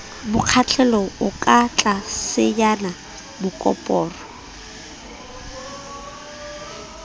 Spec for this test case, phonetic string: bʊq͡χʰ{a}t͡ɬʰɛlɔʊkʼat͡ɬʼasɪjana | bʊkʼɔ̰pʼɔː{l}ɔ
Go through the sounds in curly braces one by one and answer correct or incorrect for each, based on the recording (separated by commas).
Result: correct, incorrect